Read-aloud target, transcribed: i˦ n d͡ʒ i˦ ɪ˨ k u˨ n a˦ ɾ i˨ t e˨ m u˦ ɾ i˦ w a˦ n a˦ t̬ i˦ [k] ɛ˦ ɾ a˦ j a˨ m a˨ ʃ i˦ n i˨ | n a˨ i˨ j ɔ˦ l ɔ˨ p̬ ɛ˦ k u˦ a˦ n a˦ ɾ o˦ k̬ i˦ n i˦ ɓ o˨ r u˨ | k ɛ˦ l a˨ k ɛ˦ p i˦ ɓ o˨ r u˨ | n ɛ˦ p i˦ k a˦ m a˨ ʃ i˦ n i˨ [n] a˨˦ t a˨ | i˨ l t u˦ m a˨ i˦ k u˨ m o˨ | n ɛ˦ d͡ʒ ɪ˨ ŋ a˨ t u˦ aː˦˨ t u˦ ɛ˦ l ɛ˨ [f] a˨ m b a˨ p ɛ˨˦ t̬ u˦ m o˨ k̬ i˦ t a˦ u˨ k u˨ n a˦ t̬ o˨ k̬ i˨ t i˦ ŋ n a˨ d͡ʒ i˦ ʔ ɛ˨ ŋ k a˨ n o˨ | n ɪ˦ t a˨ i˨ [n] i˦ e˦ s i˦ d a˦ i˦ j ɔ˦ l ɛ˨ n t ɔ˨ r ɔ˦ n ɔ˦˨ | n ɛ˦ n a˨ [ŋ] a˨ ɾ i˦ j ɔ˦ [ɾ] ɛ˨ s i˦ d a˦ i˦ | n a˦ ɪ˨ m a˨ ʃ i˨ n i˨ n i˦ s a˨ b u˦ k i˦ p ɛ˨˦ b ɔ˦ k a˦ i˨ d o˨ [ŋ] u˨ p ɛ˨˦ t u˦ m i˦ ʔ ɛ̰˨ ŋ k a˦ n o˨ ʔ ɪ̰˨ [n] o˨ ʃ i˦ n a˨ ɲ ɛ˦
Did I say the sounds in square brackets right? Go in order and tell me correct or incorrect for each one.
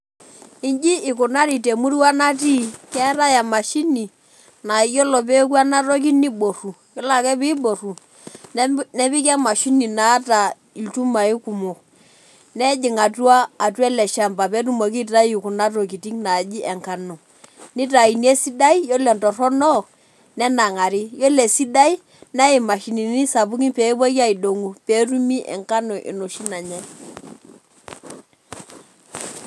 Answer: correct, correct, incorrect: ʃ, correct, correct, incorrect: l, correct, correct

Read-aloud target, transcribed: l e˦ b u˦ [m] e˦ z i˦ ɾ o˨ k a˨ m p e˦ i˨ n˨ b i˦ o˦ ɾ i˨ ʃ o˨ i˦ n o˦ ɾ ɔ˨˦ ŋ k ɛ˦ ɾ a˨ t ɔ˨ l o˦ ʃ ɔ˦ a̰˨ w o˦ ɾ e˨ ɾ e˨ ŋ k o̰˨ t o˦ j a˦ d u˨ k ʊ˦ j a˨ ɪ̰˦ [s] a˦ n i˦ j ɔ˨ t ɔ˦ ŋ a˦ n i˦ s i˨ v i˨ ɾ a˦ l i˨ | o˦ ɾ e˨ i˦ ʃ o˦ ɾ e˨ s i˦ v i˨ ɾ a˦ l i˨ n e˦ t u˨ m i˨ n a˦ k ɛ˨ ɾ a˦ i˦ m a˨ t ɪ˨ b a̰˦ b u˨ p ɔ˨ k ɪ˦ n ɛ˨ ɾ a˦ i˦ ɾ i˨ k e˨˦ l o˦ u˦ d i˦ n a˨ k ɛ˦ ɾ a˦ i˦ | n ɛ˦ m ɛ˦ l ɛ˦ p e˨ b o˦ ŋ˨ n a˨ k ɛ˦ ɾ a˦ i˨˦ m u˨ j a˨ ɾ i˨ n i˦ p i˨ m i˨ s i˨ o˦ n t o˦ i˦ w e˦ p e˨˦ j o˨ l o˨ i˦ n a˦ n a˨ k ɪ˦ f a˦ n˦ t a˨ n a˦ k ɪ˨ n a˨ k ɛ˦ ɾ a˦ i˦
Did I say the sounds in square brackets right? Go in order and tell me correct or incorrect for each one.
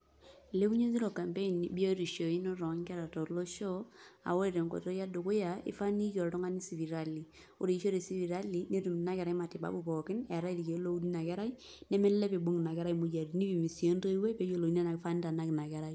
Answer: incorrect: ɲ, incorrect: f

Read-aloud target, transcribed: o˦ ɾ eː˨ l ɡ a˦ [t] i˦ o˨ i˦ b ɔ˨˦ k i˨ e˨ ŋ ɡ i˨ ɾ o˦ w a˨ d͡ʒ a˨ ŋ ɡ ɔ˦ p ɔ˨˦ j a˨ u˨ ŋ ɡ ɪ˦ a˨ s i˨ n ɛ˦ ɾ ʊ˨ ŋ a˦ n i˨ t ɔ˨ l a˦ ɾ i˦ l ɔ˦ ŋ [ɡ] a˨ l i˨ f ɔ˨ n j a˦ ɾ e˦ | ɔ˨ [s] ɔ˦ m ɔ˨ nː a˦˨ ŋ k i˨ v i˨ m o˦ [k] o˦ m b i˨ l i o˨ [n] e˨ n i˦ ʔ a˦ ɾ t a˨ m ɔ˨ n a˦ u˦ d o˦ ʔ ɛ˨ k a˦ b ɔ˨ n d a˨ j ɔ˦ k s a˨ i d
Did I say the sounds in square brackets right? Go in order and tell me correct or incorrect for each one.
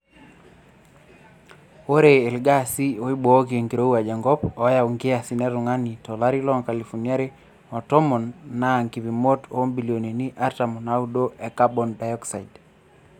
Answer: incorrect: s, incorrect: k, incorrect: t, incorrect: t, correct

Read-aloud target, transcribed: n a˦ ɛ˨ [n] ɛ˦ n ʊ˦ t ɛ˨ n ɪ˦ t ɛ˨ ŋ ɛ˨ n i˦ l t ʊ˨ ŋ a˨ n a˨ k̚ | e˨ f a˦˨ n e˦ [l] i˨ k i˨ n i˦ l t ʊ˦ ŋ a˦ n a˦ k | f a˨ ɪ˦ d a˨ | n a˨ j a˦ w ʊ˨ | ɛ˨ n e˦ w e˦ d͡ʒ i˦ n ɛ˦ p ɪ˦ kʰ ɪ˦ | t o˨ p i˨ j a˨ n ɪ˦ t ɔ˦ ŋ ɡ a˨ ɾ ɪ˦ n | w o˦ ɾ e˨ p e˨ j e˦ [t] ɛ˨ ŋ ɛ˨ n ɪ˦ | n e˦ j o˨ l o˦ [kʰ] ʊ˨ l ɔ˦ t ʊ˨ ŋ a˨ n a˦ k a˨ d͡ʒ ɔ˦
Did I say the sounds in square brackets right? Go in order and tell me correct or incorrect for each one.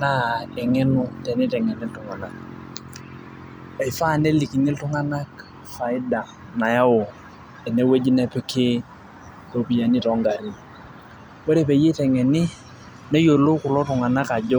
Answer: incorrect: ŋ, correct, correct, incorrect: k

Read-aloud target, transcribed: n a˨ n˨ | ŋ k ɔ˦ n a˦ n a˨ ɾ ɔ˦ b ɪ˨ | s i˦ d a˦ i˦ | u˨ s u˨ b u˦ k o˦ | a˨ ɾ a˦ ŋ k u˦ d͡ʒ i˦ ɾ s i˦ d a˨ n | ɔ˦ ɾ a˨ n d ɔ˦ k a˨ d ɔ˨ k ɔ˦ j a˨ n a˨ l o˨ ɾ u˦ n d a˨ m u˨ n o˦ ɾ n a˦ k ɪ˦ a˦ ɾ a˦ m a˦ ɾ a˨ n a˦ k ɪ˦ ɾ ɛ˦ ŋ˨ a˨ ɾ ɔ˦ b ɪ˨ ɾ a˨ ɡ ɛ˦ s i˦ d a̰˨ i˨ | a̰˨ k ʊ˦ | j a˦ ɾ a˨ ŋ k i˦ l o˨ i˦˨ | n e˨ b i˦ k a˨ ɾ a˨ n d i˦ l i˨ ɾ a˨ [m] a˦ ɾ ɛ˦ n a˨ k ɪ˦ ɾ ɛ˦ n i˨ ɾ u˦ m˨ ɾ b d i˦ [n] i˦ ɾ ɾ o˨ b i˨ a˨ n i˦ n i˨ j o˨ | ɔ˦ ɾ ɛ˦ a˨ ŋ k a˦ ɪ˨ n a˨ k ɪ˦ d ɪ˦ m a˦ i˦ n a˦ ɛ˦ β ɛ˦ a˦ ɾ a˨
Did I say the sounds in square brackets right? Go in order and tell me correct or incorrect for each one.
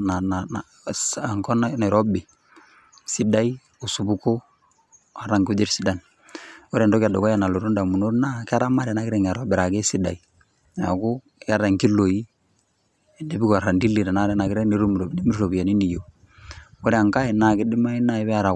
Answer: incorrect: n, incorrect: m

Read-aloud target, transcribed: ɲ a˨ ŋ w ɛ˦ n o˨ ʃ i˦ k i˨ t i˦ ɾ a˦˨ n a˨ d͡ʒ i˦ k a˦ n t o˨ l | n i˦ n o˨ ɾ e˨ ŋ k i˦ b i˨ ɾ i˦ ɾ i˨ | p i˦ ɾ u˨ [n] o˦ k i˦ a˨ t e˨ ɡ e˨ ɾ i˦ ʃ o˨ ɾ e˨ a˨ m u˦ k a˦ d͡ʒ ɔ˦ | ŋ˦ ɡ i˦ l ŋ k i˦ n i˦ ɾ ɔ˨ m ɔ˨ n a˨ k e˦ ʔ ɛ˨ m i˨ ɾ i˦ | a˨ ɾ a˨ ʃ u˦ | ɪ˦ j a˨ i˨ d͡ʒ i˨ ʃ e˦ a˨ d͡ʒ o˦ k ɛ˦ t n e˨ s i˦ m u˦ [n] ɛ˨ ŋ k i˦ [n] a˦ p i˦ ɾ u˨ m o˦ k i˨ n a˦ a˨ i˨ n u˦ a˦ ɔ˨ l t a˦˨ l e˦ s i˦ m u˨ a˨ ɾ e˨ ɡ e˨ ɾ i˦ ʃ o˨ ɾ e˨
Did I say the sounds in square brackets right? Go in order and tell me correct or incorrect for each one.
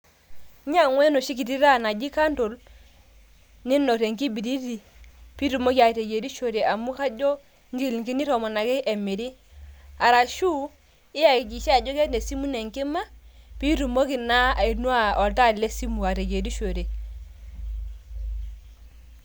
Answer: incorrect: m, correct, incorrect: m

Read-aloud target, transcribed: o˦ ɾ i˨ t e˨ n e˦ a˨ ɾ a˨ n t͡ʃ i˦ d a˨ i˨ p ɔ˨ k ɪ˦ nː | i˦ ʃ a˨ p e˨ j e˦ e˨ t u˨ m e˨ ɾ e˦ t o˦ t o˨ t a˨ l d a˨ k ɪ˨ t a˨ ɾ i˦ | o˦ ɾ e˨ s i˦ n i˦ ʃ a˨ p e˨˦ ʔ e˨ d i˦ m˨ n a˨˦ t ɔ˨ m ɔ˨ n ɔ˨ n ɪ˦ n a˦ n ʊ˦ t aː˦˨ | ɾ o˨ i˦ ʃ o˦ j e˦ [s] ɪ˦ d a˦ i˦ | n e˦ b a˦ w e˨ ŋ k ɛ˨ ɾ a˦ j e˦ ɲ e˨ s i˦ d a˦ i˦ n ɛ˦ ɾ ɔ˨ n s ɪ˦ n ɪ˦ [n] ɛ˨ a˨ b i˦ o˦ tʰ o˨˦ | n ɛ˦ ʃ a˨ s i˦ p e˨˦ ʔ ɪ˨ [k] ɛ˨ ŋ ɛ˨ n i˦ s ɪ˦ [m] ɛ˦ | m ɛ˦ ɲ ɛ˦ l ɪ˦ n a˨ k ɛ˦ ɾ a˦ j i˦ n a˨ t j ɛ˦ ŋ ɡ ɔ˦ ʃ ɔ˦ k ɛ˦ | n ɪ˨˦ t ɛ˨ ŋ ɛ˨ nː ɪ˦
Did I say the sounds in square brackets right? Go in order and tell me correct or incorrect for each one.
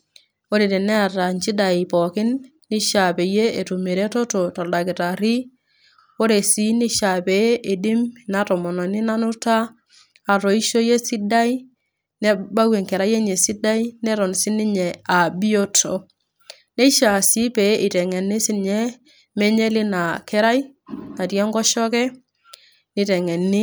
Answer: correct, incorrect: ɲ, incorrect: t, incorrect: ɲ

